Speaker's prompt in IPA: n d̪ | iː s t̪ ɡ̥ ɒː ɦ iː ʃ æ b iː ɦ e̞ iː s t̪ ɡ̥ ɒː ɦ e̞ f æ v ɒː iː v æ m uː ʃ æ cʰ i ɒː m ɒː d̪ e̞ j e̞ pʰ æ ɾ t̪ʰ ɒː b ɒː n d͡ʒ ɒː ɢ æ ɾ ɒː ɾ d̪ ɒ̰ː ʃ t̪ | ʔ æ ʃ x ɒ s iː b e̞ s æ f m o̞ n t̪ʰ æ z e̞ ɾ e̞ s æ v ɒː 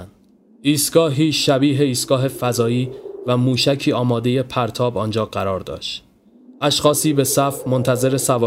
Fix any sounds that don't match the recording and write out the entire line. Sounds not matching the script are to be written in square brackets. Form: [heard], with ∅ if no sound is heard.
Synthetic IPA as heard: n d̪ | iː s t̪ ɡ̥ ɒː ɦ iː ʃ æ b iː ɦ e̞ iː s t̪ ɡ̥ ɒː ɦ e̞ f æ [z] ɒː iː v æ m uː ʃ æ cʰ [iː] ɒː m ɒː d̪ e̞ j e̞ pʰ æ ɾ t̪ʰ ɒː b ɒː n d͡ʒ ɒː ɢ æ ɾ ɒː ɾ d̪ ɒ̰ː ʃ t̪ | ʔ æ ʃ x [ɒː] s iː b e̞ s æ f m o̞ n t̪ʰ æ z e̞ ɾ e̞ s æ v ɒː